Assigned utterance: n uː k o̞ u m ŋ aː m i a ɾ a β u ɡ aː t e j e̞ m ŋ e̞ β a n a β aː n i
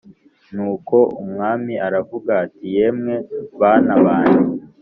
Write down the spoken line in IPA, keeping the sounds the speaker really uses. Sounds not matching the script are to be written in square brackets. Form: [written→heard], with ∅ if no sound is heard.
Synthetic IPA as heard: n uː k o̞ u m ŋ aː m i a ɾ a [β→v] u ɡ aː t [e→i] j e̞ m ŋ e̞ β a n a β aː n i